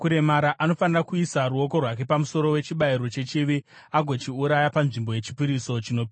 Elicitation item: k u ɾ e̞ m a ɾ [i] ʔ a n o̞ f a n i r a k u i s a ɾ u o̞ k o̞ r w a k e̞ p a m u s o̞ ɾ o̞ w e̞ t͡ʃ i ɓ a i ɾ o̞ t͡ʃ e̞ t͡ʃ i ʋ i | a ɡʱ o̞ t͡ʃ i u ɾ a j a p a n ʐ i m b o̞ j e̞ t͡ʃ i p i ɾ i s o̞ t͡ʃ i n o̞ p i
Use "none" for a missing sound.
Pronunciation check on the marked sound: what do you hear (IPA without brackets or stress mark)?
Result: a